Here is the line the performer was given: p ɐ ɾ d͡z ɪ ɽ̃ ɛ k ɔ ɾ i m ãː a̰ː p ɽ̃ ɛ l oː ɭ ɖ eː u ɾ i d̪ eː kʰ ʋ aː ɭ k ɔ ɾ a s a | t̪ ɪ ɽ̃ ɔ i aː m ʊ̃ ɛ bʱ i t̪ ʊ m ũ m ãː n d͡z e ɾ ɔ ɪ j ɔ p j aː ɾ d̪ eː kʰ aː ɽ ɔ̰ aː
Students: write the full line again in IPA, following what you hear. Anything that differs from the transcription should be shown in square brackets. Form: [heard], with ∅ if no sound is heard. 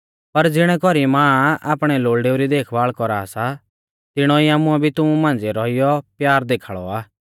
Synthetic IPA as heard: p ɐ ɾ d͡z ɪ ɽ̃ ɛ k ɔ ɾ i m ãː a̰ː p ɽ̃ ɛ l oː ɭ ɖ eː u ɾ i d̪ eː kʰ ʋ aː ɭ k ɔ ɾ a s a | t̪ ɪ ɽ̃ ɔ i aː m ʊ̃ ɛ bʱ i t̪ ʊ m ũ m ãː n d͡z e ɾ ɔ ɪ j ɔ p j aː ɾ d̪ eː kʰ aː [ɭ] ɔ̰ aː